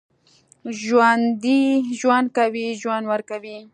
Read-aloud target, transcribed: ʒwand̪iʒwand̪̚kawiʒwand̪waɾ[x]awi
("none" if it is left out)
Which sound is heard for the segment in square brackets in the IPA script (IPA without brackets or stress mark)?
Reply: k